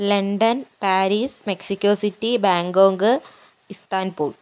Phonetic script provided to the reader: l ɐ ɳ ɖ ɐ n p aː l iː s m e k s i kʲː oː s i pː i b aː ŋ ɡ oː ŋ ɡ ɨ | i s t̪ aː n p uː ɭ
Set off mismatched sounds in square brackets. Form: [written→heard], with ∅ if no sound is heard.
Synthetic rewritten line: l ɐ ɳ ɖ ɐ n p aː [l→ɾ] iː s m e k s i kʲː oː s i [pː→tː] i b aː ŋ ɡ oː ŋ ɡ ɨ | i s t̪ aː n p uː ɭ